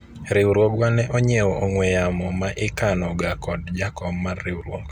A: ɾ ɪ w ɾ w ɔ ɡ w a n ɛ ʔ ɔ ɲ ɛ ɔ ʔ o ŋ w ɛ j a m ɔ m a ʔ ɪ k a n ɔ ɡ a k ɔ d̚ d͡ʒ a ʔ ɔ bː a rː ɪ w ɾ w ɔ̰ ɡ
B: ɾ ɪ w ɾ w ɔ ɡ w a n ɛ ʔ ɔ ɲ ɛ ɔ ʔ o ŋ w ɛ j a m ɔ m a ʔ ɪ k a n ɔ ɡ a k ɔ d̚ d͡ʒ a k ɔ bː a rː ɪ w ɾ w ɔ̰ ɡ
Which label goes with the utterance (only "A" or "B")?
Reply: B